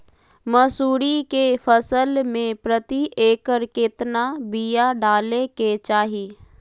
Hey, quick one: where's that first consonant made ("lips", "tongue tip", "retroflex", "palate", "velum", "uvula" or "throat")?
lips